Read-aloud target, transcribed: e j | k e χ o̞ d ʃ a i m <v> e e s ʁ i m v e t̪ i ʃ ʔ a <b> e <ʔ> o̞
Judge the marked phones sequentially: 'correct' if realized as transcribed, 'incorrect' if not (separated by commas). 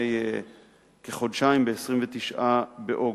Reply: incorrect, correct, correct